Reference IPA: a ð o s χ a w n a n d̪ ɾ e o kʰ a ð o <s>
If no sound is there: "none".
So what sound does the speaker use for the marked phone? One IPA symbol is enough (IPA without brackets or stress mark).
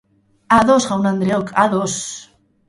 s